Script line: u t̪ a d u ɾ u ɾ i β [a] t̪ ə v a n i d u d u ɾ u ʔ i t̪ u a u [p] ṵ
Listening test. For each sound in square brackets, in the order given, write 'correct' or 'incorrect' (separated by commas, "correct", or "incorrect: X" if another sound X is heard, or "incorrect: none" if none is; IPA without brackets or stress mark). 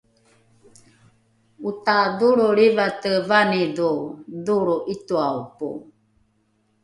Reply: correct, correct